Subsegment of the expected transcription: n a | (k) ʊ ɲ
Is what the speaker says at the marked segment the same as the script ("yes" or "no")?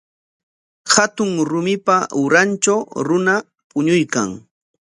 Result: no